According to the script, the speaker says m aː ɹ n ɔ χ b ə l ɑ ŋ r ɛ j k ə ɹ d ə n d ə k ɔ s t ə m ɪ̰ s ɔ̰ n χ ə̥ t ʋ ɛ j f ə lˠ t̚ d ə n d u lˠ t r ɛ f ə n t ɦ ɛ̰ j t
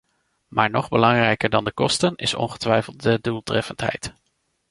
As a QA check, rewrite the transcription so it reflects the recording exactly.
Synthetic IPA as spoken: m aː ɹ n ɔ χ b ə l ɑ ŋ r ɛ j k ə ɹ d ɑ n d ə k ɔ s t ə n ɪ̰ s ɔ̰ n χ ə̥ t ʋ ɛ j f ə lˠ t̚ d ə d u lˠ t r ɛ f ə n t ɦ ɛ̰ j t